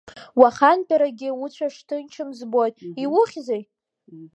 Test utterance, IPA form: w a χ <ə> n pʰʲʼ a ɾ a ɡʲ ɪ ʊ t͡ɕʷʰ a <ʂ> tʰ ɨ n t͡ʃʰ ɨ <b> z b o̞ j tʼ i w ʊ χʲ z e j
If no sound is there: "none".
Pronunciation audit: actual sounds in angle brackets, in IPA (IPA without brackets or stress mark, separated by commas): a, ʂ, m